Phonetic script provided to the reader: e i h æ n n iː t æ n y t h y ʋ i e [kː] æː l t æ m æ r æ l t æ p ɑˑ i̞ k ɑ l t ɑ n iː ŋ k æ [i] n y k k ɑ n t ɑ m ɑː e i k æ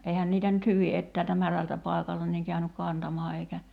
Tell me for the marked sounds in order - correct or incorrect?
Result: incorrect, incorrect

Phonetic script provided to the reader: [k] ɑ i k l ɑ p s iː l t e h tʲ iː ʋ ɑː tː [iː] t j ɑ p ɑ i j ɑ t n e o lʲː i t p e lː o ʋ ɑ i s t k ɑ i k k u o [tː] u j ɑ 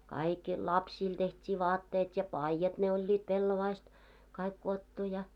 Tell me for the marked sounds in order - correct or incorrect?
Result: correct, incorrect, correct

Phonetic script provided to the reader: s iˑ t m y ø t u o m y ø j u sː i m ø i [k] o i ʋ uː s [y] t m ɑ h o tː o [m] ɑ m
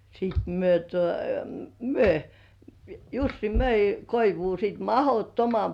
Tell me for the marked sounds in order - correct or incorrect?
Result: correct, incorrect, correct

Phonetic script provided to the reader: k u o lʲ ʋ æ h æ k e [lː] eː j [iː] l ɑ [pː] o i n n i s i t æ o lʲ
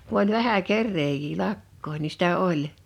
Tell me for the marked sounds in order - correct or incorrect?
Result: incorrect, correct, incorrect

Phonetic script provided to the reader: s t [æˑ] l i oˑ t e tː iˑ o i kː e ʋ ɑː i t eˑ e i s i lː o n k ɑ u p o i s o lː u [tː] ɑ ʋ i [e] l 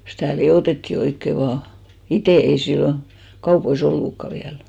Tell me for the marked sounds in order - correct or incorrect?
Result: correct, incorrect, incorrect

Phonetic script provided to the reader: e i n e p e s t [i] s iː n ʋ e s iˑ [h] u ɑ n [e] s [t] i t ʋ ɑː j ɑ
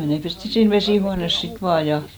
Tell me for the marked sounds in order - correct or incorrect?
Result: correct, correct, correct, incorrect

